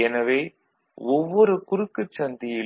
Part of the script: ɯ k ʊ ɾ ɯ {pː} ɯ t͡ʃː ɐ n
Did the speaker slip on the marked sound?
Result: yes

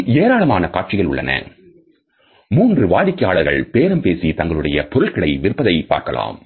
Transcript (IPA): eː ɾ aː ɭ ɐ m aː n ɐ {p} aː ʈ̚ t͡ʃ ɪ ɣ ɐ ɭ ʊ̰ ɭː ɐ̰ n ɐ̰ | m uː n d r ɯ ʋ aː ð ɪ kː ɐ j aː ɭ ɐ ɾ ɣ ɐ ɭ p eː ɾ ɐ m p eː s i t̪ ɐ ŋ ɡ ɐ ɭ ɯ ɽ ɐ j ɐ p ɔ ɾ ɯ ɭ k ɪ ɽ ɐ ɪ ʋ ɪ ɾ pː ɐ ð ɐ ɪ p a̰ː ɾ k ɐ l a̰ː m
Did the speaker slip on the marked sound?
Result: yes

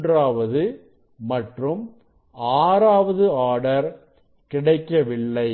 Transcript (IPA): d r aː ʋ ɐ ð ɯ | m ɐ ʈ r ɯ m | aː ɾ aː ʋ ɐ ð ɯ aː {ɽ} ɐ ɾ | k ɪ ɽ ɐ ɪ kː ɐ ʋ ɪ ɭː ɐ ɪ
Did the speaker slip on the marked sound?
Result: no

